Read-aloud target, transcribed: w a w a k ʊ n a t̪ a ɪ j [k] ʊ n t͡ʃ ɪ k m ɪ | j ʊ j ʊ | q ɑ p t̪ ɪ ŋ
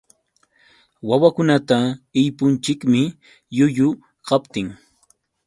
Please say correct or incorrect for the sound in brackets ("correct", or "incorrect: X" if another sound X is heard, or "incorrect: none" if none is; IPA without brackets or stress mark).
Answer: incorrect: p